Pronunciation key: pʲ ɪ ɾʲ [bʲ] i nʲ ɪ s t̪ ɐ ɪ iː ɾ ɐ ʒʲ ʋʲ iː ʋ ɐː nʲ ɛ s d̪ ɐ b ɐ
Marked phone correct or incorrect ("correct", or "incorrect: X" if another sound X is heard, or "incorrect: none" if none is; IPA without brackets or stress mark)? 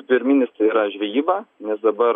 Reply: incorrect: mʲ